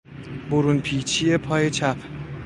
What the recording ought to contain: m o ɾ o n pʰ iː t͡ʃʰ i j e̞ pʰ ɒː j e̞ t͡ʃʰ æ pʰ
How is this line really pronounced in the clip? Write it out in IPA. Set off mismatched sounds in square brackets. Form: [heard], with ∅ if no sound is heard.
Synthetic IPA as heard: [b] o ɾ [u] n pʰ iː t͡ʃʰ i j e̞ pʰ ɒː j e̞ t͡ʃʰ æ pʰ